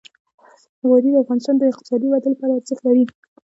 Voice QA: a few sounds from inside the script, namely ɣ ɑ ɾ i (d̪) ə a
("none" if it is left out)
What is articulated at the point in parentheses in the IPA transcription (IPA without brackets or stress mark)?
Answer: d̪